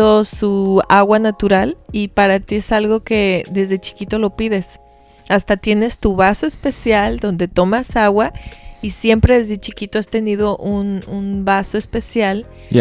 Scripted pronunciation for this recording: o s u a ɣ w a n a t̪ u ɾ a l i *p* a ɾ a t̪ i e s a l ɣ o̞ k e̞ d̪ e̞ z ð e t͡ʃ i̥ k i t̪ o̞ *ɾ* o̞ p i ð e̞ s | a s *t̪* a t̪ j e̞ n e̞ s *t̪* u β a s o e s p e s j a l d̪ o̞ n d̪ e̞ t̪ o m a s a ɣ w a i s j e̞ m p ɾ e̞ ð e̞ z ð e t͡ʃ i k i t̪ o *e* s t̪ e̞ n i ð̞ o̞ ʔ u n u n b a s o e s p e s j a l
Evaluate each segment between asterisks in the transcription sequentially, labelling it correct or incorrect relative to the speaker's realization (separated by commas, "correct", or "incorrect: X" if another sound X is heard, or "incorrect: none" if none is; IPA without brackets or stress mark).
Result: correct, incorrect: l, correct, correct, incorrect: a